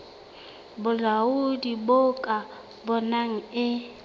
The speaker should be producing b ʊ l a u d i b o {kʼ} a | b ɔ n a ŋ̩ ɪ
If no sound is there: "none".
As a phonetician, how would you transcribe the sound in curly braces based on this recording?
kʼ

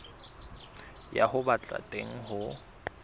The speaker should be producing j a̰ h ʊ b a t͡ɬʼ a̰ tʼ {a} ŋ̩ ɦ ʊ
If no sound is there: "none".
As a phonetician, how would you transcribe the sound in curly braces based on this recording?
e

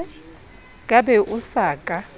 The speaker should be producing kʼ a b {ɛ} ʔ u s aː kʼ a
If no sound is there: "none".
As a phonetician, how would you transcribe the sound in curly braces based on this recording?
ɛ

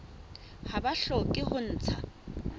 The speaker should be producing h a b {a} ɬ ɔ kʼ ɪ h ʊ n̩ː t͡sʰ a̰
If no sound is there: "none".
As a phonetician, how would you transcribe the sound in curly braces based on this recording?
a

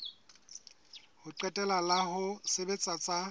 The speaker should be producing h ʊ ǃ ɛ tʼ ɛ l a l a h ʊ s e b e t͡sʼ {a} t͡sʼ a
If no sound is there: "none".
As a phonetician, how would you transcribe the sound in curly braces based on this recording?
a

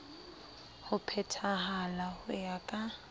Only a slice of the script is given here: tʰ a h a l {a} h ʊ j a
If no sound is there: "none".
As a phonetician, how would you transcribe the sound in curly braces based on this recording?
a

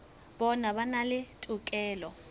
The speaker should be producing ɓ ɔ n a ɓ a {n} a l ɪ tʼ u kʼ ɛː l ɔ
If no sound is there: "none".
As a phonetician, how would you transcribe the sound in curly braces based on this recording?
n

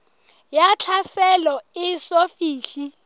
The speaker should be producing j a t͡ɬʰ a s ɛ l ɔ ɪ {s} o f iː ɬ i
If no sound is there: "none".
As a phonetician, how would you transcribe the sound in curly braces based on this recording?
s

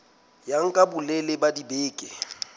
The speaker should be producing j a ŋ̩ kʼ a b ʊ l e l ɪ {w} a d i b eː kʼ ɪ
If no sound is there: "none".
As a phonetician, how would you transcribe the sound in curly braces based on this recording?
b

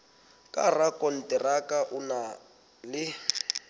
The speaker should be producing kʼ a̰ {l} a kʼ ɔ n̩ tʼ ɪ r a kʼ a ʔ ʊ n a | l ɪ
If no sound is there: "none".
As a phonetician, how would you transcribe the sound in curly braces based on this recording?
r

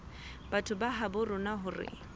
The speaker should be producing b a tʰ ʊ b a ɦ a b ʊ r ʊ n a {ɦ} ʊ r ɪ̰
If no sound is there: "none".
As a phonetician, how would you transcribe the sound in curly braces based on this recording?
ɦ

